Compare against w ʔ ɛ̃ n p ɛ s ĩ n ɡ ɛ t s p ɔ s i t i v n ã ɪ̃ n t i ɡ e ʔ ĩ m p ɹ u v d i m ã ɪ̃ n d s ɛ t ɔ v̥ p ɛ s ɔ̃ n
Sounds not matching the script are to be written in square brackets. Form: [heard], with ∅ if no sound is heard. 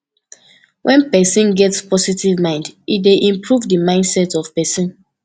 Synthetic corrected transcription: w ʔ ɛ̃ n p ɛ s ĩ n ɡ ɛ t s p ɔ s i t i v [m] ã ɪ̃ n [d] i [d] e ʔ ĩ m p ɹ u v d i m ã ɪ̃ n d s ɛ t ɔ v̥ p ɛ s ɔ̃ n